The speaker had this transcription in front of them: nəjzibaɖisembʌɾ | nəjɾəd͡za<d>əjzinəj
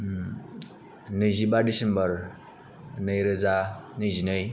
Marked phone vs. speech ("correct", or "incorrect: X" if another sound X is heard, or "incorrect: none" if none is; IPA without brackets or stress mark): incorrect: n